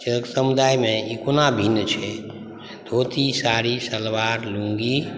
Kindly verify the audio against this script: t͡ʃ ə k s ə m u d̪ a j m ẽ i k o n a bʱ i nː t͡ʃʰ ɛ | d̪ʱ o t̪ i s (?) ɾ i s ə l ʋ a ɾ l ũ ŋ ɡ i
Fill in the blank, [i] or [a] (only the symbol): a